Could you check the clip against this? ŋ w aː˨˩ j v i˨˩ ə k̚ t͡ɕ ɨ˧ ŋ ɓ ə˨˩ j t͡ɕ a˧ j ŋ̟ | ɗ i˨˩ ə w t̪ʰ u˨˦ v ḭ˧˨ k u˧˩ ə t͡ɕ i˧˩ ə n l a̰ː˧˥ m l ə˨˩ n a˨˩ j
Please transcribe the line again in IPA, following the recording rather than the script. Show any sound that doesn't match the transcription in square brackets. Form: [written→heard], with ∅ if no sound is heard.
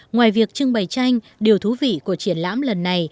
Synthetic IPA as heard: ŋ w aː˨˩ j v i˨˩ ə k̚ t͡ɕ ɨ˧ ŋ ɓ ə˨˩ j t͡ɕ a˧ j ŋ̟ | ɗ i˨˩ ə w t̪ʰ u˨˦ v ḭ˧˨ k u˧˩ ə t͡ɕ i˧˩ ə n l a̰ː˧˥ m l ə˨˩ [n→nː] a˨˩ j